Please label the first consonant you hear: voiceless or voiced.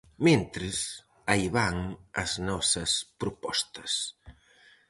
voiced